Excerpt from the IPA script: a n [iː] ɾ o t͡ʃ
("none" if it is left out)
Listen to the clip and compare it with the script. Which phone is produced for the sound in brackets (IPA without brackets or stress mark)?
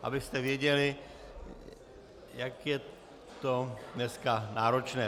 aː